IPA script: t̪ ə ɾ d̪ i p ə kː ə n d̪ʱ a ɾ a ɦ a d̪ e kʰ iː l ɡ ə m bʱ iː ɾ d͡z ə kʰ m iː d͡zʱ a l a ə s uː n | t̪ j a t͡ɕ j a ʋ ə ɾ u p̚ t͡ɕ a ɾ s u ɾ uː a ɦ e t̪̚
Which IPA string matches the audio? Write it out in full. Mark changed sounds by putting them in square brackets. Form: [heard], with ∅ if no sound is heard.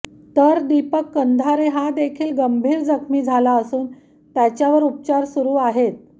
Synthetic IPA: t̪ ə ɾ d̪ i p ə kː ə n d̪ʱ a ɾ [e] ɦ a d̪ e kʰ iː l ɡ ə m bʱ iː ɾ d͡z ə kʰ m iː d͡zʱ a l a ə s uː n | t̪ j a t͡ɕ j a ʋ ə ɾ u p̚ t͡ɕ a ɾ s u ɾ uː a ɦ e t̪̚